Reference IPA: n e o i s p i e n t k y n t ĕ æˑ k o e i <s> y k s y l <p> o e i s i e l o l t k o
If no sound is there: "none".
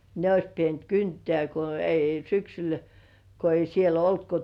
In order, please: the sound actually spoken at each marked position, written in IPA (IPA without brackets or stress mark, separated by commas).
s, k